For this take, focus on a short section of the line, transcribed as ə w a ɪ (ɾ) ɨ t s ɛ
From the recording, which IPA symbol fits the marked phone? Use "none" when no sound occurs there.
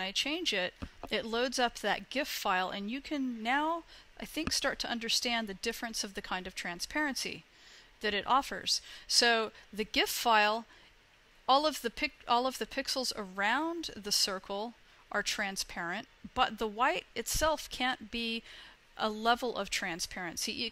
ɾ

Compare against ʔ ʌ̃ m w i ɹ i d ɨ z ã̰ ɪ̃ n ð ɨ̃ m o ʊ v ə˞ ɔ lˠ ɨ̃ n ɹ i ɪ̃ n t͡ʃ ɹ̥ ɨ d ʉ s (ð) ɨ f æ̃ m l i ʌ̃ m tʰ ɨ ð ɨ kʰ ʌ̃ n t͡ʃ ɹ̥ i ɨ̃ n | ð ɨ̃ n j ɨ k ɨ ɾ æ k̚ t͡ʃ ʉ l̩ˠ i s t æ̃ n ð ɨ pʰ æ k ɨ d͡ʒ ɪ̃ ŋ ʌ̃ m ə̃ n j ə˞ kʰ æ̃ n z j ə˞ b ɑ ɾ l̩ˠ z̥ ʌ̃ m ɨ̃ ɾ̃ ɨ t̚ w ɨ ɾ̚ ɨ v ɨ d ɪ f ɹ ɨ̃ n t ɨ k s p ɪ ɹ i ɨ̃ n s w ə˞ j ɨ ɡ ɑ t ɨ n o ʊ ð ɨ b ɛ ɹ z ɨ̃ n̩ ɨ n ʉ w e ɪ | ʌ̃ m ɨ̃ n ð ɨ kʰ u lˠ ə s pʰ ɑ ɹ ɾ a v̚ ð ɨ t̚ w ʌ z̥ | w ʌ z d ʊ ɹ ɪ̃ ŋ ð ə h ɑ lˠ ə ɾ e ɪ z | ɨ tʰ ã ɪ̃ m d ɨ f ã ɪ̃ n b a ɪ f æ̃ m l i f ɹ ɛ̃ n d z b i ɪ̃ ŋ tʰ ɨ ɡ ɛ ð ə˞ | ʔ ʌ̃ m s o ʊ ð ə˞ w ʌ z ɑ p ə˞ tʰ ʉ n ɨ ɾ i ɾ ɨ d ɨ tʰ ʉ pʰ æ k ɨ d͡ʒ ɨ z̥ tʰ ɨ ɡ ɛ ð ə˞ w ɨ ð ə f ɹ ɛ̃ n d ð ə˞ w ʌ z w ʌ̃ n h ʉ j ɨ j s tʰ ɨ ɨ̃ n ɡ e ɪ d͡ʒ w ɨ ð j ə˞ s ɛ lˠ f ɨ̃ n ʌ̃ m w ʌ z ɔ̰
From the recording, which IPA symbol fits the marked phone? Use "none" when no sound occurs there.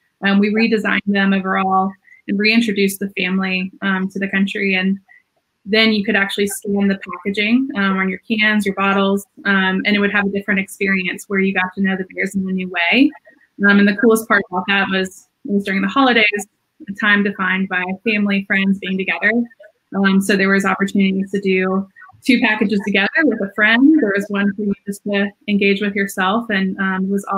ð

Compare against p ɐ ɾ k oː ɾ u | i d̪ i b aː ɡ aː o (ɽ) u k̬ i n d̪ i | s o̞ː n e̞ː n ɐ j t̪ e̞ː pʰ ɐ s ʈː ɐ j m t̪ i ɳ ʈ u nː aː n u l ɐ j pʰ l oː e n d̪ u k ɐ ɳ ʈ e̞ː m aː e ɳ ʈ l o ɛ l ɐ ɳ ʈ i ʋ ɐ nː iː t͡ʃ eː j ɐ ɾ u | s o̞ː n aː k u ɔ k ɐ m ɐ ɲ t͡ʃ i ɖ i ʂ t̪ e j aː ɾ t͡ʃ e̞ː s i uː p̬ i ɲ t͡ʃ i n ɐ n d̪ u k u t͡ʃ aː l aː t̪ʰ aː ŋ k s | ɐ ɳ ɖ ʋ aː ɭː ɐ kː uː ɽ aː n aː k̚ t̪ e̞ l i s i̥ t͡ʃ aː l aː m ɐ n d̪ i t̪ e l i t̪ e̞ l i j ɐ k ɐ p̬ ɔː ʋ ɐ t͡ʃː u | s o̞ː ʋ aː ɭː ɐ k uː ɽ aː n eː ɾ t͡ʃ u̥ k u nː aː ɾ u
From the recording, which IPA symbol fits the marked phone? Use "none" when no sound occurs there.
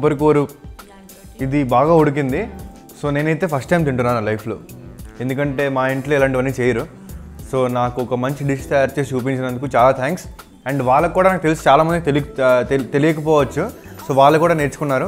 ɽ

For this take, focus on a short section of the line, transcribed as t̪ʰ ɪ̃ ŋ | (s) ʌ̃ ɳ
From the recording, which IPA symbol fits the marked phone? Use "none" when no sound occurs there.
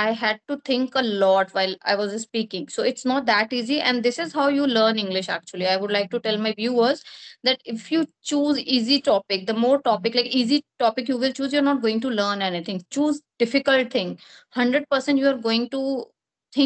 h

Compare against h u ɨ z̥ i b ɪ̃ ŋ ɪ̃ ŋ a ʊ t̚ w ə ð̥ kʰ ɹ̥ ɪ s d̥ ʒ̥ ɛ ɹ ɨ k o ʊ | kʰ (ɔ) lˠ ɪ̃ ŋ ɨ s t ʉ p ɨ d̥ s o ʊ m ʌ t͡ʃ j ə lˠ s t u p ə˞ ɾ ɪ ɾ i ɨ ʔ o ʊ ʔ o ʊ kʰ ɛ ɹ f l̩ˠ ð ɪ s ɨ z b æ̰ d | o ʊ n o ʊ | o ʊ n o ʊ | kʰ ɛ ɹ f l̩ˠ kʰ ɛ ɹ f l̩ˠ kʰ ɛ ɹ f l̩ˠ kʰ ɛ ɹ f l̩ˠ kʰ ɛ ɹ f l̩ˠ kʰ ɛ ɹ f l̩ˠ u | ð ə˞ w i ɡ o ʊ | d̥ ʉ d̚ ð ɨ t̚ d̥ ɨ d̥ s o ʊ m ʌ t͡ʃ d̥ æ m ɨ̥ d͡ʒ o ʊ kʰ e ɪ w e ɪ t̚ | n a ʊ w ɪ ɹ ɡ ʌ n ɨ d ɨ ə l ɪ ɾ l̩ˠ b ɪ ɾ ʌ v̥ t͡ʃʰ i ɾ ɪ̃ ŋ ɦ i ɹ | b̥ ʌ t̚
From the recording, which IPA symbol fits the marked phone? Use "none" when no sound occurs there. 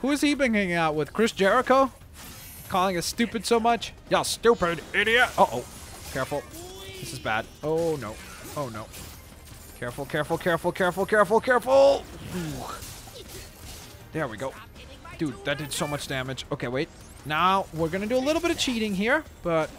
ɔ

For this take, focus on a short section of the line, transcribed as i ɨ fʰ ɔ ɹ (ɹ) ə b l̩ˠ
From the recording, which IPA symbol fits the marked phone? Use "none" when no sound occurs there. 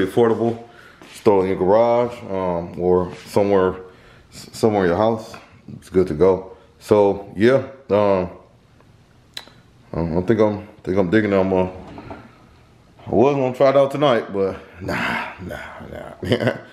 ɾ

